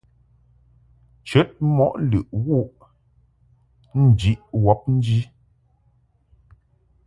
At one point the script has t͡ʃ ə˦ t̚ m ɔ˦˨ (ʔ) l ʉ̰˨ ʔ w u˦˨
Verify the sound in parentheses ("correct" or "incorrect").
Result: correct